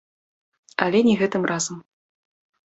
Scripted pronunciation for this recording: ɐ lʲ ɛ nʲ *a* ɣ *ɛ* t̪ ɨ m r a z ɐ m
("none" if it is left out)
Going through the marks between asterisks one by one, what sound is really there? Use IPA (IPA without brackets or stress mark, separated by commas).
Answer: ɛ, ɛ